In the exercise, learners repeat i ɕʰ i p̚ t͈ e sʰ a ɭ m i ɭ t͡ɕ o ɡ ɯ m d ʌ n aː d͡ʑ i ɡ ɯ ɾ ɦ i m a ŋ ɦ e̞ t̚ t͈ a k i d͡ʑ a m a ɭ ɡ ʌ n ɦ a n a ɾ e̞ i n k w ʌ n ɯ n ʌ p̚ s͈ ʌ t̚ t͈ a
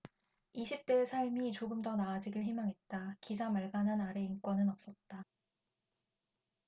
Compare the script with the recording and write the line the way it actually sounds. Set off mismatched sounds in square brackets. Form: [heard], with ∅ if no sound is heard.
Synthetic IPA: i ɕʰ i p̚ t͈ e sʰ a ɭ m i [∅] t͡ɕ o ɡ ɯ m d ʌ n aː d͡ʑ i ɡ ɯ [ɭ] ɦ i m a ŋ ɦ e̞ t̚ t͈ a k i d͡ʑ a m a ɭ ɡ [a] n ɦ a n a ɾ e̞ i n k w ʌ n ɯ n ʌ p̚ s͈ ʌ t̚ t͈ a